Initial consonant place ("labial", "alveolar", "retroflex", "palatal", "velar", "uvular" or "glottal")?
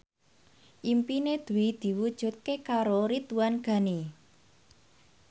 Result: glottal